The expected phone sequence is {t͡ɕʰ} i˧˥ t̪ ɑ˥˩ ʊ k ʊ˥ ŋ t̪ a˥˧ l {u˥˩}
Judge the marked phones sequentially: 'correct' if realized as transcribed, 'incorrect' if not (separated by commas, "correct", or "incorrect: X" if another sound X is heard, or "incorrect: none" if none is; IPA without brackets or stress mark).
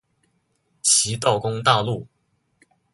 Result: correct, correct